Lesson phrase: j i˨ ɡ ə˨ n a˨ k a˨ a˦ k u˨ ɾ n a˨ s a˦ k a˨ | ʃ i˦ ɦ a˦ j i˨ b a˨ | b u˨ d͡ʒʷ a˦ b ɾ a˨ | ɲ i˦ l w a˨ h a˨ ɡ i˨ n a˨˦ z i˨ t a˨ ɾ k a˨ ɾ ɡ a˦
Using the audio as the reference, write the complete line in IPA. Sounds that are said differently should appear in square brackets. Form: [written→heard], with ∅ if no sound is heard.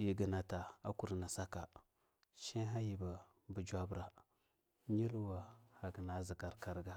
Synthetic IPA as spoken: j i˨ ɡ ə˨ n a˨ [k→t] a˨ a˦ k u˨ ɾ n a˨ s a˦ k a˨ | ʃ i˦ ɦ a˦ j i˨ b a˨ | b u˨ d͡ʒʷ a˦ b ɾ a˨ | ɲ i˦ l w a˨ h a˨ ɡ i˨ n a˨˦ z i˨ [t→k] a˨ ɾ k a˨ ɾ ɡ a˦

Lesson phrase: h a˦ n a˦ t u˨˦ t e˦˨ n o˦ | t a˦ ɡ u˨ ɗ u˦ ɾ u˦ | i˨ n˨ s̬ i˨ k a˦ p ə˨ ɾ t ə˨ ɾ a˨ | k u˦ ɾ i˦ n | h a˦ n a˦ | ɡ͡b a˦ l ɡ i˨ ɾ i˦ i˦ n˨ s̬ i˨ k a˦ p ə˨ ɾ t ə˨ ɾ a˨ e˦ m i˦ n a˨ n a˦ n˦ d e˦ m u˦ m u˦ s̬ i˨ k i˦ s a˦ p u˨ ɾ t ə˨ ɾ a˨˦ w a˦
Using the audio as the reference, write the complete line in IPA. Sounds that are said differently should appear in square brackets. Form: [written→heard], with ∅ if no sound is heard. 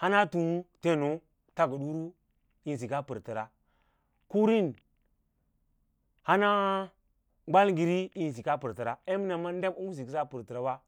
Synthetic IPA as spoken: h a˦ n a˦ t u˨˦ t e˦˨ n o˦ | t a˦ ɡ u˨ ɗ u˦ ɾ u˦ | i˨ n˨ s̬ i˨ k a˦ p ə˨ ɾ t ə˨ ɾ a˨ | k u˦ ɾ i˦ n | h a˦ n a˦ | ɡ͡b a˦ l ɡ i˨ ɾ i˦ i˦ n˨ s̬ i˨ k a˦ p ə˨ ɾ t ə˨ ɾ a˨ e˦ m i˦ n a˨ [n→m] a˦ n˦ d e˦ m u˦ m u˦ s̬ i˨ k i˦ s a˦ p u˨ ɾ t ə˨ ɾ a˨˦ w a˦

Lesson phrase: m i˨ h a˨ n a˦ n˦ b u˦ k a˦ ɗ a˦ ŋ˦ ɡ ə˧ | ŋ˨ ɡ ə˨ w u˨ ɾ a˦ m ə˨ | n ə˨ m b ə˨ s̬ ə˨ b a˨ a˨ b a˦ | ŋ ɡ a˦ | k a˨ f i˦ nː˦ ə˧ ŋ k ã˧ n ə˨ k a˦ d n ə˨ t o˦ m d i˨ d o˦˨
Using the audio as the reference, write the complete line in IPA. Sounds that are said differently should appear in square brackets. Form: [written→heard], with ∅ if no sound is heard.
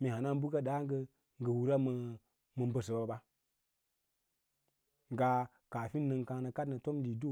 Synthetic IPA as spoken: m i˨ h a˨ n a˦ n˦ b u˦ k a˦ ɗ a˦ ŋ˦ ɡ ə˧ | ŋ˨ ɡ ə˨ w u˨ ɾ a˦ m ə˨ | [n→m] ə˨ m b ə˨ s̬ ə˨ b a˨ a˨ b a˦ | ŋ ɡ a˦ | k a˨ f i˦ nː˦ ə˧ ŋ k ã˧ n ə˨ k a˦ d n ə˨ t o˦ m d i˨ d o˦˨

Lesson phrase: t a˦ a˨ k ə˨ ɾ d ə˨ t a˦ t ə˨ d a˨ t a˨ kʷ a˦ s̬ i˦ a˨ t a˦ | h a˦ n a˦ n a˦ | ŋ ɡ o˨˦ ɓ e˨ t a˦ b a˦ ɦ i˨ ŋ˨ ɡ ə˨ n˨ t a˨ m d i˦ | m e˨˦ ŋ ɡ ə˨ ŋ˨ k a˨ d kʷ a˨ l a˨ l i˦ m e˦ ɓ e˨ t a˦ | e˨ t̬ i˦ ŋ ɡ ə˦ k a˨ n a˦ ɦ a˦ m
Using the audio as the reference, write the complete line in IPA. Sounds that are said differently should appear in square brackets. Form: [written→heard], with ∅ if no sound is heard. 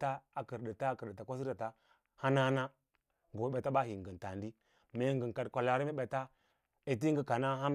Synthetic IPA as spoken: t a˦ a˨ k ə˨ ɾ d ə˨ t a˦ [t→k] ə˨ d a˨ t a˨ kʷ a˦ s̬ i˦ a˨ t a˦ | h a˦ n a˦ n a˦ | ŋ ɡ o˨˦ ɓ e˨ t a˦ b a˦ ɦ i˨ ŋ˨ ɡ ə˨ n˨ t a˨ [m→n] d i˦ | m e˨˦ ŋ ɡ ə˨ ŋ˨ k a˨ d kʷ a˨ l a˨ [l→ɾ] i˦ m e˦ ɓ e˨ t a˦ | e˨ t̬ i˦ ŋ ɡ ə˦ k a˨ n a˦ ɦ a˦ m

